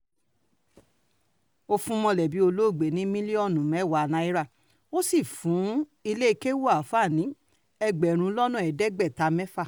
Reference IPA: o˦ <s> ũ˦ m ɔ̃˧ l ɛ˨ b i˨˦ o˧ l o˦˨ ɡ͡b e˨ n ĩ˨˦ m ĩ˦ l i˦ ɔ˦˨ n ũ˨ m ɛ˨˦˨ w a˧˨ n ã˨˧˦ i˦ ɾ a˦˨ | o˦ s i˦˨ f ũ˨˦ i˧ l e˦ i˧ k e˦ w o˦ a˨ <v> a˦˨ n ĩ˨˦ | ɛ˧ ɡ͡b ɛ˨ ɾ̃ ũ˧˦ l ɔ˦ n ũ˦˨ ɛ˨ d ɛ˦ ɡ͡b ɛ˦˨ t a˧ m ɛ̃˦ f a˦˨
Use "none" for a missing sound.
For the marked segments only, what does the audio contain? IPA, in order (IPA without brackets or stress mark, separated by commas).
f, f